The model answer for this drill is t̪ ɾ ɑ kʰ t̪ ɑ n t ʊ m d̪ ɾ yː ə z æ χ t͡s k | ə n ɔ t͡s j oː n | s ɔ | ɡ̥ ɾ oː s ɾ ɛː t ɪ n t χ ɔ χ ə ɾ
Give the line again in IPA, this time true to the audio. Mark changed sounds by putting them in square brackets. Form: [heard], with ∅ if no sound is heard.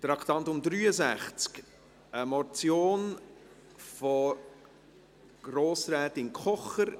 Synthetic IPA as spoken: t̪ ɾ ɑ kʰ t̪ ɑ n t ʊ m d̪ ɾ yː ə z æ χ t͡s k | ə [m] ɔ t͡s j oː n | [f] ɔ | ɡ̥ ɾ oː s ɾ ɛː t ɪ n [k] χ ɔ χ ə ɾ